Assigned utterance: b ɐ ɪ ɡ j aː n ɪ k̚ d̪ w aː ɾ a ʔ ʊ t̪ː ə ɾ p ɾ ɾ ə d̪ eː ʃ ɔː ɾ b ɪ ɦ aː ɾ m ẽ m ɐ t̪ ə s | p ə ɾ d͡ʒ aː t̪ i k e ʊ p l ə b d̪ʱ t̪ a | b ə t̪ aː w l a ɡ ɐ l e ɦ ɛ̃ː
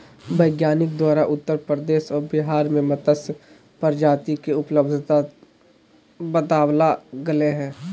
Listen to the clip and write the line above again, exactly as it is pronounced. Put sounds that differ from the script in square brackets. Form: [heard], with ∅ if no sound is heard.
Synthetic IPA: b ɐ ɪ ɡ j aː n ɪ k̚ d̪ w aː ɾ a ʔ ʊ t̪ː ə ɾ p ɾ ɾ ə d̪ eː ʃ ɔː ɾ b ɪ ɦ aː ɾ m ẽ m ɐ t̪ ə s | p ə ɾ d͡ʒ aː t̪ i k e ʊ p l ə b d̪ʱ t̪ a | b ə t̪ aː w l a ɡ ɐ l e ɦ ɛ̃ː